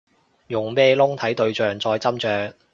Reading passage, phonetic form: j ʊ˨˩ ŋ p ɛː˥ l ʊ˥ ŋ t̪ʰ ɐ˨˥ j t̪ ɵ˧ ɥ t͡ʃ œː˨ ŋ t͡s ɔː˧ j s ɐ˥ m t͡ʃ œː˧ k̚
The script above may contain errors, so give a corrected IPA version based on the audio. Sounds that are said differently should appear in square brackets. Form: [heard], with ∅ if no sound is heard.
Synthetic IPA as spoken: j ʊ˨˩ ŋ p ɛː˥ l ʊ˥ ŋ t̪ʰ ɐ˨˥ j t̪ ɵ˧ ɥ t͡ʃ œː˨ ŋ t͡s ɔː˧ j [t͡s] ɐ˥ m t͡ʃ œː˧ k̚